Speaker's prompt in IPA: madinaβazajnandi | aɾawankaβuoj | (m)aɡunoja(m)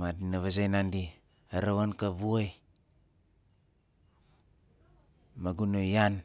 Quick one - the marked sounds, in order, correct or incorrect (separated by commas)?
correct, incorrect